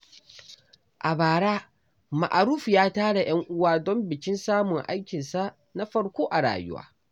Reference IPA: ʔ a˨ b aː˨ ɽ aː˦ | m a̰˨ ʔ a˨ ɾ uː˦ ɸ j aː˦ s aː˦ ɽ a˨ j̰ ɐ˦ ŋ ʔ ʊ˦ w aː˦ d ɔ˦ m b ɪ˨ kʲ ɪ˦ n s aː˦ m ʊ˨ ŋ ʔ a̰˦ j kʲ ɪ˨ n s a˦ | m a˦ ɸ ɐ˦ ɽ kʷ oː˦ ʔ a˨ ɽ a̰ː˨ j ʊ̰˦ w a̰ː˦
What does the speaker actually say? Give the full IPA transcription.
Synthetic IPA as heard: ʔ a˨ b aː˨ ɽ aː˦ | m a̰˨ ʔ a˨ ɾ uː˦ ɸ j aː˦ t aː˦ ɽ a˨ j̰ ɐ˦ ŋ ʔ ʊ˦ w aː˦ d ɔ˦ m b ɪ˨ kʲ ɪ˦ n s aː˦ m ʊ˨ ŋ ʔ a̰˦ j kʲ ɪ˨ n s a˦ | n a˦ ɸ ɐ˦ ɽ kʷ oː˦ ʔ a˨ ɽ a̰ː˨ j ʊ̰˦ w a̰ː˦